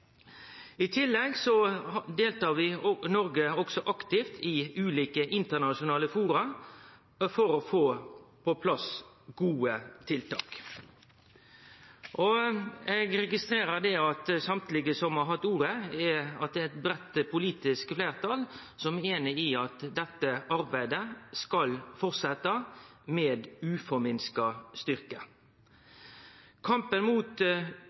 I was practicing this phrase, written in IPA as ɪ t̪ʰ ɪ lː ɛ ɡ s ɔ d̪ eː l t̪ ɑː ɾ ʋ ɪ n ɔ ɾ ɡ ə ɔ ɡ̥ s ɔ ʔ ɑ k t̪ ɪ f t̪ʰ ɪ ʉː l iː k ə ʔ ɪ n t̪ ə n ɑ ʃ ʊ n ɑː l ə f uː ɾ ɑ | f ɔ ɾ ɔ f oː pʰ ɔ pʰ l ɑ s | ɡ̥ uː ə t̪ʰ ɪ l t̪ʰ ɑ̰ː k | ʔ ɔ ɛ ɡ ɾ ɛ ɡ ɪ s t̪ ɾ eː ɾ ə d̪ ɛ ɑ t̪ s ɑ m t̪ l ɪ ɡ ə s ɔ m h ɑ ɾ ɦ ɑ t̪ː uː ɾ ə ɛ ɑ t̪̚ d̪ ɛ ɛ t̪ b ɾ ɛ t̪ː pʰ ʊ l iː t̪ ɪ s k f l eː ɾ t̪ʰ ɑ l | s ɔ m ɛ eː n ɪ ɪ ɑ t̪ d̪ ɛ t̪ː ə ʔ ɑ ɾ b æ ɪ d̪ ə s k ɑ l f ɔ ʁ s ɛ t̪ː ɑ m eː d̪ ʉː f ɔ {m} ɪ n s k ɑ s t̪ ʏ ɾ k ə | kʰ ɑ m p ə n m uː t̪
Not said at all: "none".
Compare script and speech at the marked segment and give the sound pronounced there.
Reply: m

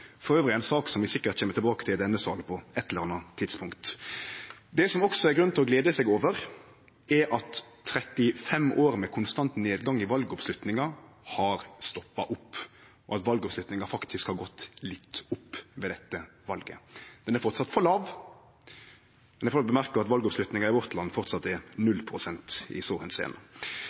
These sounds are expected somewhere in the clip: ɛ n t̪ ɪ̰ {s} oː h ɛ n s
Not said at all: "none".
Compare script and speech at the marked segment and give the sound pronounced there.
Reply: s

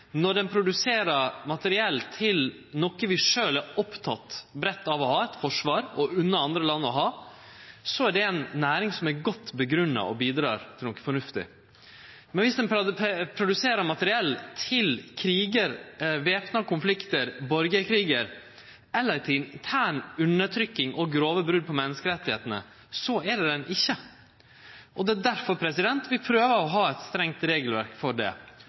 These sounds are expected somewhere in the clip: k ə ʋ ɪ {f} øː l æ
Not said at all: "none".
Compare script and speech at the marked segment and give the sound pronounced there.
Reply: ʂ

